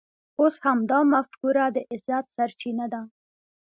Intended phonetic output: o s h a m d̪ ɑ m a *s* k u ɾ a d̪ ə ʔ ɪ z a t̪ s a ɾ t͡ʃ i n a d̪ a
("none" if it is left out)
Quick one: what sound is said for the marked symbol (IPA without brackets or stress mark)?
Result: f